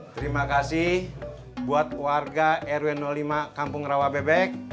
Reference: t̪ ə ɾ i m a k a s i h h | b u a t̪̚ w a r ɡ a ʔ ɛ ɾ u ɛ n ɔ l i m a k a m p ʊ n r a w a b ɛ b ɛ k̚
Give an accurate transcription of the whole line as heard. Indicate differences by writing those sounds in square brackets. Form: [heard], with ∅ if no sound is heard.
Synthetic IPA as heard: t̪ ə ɾ i m a k a s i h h | b u a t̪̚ w a r ɡ a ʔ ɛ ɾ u ɛ n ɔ l i m a k a m p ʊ [ŋ] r a w a b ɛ b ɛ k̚